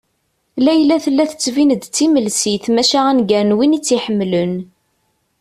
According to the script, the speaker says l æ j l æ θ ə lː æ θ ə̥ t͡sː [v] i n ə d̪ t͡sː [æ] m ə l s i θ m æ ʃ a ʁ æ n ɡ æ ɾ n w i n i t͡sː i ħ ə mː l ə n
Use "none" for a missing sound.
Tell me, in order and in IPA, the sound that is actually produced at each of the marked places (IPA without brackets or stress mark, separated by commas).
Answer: v, i